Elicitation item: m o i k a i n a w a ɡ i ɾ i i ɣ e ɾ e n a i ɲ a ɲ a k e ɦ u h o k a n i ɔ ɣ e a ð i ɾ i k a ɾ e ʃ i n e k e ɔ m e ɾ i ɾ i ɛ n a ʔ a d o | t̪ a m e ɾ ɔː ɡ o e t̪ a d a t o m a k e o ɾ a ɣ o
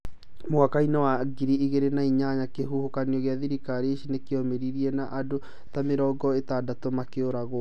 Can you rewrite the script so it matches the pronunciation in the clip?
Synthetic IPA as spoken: m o a k a i n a w a ɡ i ɾ i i ɣ e ɾ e n a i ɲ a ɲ a k e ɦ u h o k a n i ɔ ɣ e a ð i ɾ i k a ɾ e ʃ i n e k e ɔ m e ɾ i ɾ i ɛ n a ʔ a d o | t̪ a m e ɾ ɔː ɡ ɔ e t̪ a d a t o m a k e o ɾ a ɣ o